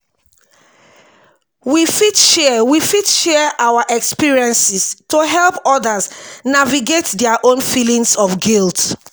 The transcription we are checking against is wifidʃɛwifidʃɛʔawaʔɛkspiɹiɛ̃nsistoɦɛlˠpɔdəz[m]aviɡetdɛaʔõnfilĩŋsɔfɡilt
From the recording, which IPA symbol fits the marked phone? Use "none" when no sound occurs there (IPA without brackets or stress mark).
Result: n